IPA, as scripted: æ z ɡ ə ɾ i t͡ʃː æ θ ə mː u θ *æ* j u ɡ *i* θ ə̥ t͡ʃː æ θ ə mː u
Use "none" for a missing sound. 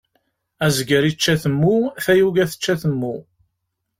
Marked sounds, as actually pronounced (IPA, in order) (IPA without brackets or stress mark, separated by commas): æ, æ